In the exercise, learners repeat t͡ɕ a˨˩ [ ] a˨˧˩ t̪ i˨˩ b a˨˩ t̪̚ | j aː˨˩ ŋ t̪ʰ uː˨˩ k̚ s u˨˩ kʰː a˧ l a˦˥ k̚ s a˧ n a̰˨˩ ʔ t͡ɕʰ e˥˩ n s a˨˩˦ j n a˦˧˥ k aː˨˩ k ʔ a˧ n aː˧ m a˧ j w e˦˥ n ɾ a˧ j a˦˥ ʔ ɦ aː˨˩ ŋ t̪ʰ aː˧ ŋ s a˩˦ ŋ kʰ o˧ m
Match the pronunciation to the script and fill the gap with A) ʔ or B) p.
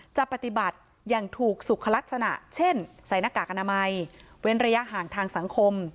B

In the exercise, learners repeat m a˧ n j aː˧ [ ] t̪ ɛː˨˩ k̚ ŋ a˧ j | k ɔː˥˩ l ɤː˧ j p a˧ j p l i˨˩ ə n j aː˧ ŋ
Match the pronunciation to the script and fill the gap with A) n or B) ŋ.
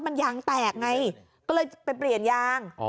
B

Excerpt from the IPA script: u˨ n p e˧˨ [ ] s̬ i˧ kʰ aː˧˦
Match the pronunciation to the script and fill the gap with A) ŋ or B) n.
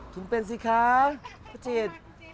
B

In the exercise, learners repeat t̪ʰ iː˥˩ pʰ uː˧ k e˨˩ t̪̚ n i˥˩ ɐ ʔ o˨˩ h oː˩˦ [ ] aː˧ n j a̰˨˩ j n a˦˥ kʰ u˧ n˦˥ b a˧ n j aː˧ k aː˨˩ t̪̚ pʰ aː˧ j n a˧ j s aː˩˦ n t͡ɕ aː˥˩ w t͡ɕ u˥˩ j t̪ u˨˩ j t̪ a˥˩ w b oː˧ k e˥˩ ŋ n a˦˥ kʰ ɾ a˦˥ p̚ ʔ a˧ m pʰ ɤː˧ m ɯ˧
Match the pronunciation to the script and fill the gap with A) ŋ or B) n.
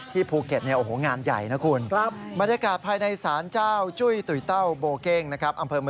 A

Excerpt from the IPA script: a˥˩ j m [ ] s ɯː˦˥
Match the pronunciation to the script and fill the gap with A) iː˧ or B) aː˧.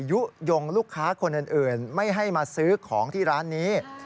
B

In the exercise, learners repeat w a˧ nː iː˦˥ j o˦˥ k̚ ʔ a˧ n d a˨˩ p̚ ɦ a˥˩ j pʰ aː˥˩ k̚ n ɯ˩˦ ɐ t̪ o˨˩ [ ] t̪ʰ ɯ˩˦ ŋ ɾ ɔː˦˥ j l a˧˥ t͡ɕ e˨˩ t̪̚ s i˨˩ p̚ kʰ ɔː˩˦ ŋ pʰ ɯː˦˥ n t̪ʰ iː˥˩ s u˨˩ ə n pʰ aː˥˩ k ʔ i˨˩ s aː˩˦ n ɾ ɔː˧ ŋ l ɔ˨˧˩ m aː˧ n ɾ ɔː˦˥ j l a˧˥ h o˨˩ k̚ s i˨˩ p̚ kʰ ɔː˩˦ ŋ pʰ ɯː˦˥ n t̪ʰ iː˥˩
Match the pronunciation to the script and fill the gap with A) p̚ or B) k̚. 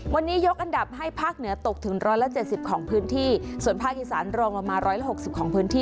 B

